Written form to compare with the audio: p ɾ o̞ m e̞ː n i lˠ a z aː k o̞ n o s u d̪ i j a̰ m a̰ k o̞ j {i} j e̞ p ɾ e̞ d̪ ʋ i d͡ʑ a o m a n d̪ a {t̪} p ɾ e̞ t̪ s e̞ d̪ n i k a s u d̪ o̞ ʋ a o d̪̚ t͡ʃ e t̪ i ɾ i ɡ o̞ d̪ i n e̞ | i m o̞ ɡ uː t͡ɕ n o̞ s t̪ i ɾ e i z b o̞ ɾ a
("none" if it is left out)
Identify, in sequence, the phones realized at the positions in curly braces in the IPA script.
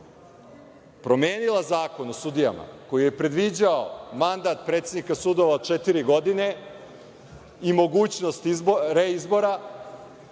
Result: i, t̪

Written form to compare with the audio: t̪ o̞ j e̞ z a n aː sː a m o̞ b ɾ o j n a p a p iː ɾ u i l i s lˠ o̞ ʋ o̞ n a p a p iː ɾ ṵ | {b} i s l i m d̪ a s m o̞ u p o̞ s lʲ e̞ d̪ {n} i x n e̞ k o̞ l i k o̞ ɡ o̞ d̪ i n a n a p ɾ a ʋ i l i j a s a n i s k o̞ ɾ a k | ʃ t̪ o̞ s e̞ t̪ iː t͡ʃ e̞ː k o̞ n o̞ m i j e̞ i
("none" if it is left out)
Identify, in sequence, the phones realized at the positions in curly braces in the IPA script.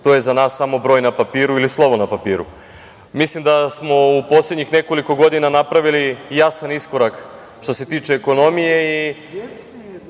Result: m, ɲ

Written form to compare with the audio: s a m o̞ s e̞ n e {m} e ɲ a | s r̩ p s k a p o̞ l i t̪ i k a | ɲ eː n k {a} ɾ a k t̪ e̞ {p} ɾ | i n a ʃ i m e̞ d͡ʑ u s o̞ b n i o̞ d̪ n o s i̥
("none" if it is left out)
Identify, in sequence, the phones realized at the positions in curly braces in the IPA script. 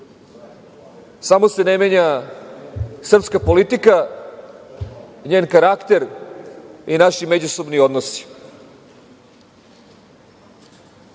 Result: m, a, none

